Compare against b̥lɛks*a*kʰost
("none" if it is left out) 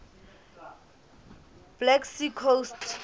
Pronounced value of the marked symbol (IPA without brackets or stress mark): i